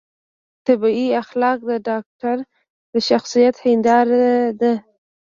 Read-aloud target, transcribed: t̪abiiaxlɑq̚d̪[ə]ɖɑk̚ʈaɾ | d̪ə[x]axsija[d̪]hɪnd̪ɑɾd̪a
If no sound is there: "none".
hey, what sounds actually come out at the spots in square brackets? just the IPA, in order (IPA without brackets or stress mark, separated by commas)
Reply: ə, ʃ, t̪